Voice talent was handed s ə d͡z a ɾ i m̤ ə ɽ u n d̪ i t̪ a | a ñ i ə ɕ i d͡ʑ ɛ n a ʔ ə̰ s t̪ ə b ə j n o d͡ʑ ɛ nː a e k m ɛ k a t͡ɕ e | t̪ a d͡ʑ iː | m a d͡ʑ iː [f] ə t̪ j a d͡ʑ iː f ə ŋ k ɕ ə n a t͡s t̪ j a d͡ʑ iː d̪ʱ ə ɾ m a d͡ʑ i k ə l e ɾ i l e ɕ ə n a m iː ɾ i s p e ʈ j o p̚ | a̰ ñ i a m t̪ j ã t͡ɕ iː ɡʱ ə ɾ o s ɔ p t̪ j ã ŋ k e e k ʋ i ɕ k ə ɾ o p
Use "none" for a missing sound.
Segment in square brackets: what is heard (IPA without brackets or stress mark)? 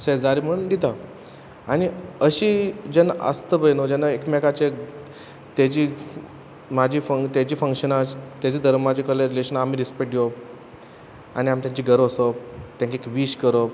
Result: f